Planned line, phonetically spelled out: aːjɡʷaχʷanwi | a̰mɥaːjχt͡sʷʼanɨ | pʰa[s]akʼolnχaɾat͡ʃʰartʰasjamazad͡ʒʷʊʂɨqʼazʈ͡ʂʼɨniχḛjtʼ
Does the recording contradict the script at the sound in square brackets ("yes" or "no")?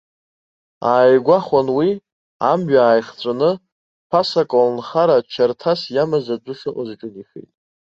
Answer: no